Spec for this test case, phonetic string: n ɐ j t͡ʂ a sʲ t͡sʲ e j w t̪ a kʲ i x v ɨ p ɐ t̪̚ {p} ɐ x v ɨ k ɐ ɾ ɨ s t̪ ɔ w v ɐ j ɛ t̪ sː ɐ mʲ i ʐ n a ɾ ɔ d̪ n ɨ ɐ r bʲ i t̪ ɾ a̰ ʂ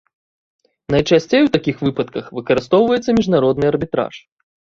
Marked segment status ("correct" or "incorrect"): incorrect